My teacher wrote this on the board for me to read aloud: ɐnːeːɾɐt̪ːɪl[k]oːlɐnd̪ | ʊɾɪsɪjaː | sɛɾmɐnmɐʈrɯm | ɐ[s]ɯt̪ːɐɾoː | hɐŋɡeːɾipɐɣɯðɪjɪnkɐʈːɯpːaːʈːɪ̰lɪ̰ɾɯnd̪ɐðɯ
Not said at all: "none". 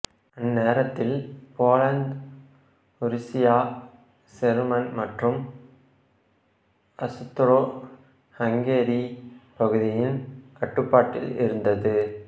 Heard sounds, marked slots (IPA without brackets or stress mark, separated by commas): p, s